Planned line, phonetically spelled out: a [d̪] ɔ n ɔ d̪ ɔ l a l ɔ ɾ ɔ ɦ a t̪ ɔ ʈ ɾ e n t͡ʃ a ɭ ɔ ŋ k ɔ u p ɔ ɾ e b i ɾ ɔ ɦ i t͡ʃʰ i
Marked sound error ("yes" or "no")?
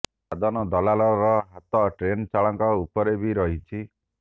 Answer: no